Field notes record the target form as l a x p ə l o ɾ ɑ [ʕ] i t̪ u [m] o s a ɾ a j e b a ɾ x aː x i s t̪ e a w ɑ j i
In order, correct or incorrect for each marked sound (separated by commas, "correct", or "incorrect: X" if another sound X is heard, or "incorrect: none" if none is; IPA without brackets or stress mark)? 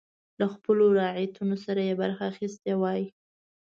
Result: correct, incorrect: n